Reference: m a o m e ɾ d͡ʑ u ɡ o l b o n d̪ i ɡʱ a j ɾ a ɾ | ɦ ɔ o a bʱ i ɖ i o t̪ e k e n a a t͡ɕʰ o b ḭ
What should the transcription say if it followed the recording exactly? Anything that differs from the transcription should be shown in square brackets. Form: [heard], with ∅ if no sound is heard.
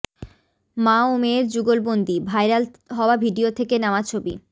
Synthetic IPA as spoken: m a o m e ɾ d͡ʑ u ɡ o l b o n d̪ i [bʱ] a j ɾ a [l] | ɦ ɔ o a bʱ i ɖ i o [t̪ʰ] e k e n a a t͡ɕʰ o b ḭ